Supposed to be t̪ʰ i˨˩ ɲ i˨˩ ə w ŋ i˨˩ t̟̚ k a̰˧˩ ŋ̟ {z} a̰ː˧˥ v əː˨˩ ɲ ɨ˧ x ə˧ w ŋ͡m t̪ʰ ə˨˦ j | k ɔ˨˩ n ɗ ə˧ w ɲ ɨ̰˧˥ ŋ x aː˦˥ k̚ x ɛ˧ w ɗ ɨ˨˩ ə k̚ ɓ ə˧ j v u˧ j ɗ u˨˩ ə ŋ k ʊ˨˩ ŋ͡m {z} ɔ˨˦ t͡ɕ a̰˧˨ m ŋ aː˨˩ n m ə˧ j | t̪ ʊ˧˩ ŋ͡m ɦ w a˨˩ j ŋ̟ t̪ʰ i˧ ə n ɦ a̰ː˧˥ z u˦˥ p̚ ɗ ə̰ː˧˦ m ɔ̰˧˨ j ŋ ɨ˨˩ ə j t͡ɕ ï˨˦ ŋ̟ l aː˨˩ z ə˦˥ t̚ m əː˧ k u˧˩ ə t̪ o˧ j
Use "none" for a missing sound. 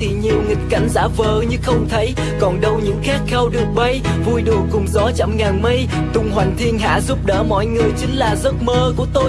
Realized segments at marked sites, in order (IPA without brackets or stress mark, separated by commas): z, z